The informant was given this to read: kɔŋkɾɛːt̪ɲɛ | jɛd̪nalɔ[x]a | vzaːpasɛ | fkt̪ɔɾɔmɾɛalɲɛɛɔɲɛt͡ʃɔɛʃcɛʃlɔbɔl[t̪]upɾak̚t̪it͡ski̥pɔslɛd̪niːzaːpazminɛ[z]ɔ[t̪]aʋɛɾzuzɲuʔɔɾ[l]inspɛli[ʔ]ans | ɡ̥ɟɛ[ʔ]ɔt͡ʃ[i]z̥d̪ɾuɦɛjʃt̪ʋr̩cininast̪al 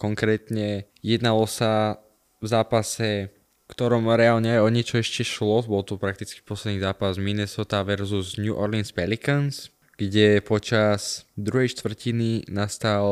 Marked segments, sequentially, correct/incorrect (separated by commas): incorrect, correct, incorrect, correct, correct, incorrect, incorrect, incorrect